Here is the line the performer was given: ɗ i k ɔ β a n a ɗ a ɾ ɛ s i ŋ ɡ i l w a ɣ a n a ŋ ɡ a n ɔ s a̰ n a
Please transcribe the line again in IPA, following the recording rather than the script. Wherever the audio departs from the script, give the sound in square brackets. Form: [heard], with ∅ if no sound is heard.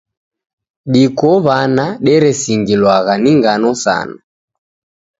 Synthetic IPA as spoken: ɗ i k ɔ β a n a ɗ [ɛ] ɾ ɛ s i ŋ ɡ i l w a ɣ a n [i] ŋ ɡ a n ɔ s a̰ n a